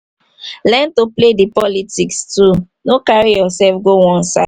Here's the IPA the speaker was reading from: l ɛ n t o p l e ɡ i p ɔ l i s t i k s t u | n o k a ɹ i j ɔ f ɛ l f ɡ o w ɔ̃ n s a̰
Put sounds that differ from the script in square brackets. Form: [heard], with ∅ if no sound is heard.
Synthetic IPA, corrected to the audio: l ɛ n t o p l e [d] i p ɔ l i [∅] t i k s t u | n o k a ɹ i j ɔ [s] ɛ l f ɡ o w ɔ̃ n s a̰